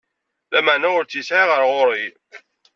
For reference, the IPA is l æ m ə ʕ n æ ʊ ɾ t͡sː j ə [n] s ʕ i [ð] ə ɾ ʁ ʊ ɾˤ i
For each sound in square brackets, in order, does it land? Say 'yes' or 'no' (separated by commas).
no, no